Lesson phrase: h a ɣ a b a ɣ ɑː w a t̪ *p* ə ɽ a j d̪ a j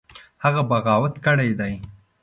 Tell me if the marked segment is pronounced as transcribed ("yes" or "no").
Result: no